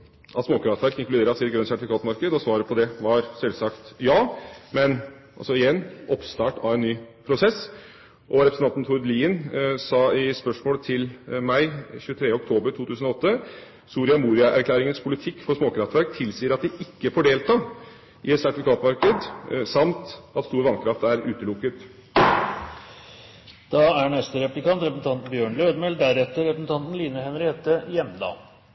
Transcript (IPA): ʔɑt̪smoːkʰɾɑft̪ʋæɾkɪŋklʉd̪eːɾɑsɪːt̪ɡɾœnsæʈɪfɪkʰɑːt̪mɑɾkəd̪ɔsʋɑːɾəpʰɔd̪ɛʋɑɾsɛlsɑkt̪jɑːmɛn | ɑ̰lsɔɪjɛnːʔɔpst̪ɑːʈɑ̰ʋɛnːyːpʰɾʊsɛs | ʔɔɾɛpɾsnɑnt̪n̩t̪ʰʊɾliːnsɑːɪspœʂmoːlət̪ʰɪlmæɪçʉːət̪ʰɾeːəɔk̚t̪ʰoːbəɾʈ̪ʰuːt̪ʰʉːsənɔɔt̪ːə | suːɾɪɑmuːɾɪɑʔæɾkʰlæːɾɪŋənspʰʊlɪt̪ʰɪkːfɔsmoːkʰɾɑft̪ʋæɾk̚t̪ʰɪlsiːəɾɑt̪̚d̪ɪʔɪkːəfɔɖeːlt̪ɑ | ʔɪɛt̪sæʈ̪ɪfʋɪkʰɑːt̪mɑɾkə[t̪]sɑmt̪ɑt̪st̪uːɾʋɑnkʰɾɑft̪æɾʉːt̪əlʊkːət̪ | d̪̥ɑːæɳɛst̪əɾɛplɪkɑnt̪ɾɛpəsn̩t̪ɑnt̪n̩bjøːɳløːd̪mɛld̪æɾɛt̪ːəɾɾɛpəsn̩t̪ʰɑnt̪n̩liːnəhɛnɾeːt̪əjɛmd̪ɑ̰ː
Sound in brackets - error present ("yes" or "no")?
yes